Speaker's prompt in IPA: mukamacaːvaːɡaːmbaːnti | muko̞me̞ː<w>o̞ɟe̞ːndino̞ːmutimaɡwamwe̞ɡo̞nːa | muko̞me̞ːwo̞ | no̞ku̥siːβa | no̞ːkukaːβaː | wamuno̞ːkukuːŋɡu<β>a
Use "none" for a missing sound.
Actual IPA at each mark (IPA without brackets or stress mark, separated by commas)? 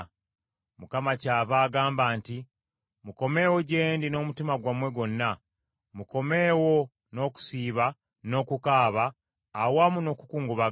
w, β